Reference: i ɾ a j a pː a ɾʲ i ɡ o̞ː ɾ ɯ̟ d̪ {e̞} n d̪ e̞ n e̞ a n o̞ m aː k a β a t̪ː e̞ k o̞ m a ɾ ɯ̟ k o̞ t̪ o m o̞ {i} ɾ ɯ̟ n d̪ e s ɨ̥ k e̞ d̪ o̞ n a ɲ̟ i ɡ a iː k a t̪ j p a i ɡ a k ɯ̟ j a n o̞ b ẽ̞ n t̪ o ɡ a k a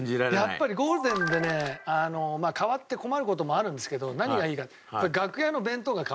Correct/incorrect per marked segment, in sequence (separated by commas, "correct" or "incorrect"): incorrect, incorrect